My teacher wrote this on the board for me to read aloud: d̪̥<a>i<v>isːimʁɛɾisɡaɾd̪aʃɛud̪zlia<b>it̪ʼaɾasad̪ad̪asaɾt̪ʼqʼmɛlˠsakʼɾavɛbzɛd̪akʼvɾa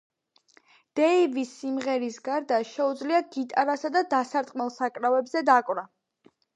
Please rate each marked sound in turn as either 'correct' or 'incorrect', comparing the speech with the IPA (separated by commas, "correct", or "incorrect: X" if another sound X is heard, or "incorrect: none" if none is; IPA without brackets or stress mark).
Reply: incorrect: ɛ, correct, incorrect: ɡ